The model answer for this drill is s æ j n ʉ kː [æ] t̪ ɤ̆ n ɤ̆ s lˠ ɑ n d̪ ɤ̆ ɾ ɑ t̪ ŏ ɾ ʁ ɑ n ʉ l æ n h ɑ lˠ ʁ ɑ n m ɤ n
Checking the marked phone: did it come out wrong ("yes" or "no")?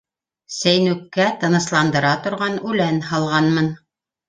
no